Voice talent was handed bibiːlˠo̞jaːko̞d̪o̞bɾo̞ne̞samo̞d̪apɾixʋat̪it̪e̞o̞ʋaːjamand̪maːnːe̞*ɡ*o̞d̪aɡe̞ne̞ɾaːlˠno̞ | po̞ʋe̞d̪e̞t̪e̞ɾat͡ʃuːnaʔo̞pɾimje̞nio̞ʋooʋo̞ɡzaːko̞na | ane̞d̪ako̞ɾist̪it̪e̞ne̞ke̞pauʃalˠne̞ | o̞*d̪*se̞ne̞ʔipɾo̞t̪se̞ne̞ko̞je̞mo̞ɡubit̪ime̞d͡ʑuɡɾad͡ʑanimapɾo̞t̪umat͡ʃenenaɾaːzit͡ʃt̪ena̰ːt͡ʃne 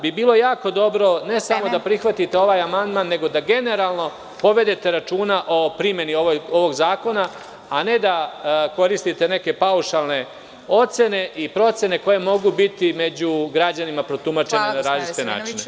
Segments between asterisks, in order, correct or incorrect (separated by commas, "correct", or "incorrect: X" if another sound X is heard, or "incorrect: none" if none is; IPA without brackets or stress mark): correct, incorrect: t̪